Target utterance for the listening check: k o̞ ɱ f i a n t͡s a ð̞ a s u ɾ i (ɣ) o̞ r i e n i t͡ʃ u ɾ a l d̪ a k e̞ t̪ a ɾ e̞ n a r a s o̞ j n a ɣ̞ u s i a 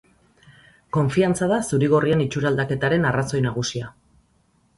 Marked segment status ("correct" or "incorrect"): correct